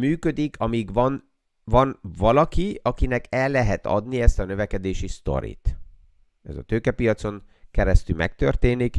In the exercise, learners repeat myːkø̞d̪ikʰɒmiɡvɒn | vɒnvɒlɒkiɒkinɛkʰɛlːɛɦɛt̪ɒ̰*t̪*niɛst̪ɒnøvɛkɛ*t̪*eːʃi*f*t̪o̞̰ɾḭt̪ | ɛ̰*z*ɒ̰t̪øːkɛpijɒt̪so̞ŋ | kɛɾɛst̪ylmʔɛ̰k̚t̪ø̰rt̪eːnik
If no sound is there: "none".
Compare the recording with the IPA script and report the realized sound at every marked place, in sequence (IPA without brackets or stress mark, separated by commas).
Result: d̪, d̪, s, z